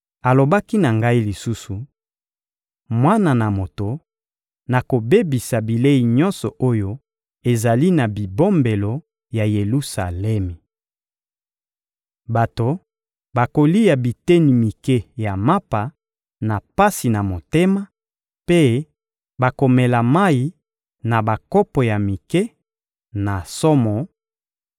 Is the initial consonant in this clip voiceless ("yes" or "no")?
no